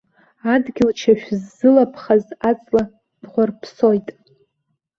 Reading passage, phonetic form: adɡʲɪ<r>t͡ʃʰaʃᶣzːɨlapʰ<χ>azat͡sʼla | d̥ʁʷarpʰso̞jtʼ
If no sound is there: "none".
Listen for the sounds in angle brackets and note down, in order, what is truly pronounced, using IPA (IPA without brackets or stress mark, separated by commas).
l, χ